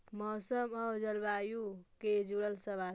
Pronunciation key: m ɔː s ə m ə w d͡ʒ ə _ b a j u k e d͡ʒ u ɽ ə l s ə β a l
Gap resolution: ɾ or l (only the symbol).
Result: l